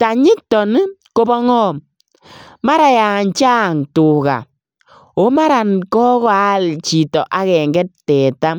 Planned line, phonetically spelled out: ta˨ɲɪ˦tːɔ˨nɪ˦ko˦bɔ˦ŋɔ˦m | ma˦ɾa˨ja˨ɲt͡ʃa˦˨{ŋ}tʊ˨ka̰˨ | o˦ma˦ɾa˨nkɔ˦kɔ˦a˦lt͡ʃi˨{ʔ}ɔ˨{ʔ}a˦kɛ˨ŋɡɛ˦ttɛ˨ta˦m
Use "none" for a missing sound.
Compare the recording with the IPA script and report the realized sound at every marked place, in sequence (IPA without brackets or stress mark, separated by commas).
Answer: ŋ, t, ʔ